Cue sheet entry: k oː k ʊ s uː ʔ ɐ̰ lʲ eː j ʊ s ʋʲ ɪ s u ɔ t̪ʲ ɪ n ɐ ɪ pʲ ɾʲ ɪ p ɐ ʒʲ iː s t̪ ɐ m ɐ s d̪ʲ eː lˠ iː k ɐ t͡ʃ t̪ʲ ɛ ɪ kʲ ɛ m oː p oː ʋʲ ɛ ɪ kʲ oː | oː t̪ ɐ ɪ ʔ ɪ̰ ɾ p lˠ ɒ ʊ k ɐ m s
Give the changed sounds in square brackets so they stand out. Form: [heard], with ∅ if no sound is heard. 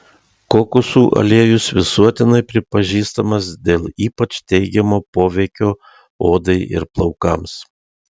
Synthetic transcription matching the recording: k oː k ʊ s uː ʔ ɐ̰ lʲ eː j ʊ s ʋʲ ɪ s u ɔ t̪ʲ ɪ n ɐ ɪ pʲ ɾʲ ɪ p ɐ ʒʲ iː s t̪ ɐ m ɐ s d̪ʲ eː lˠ iː [p] ɐ t͡ʃ t̪ʲ ɛ ɪ [ɡʲ] ɛ m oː p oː ʋʲ ɛ ɪ kʲ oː | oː [d̪] ɐ ɪ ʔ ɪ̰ ɾ p lˠ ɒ ʊ k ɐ m s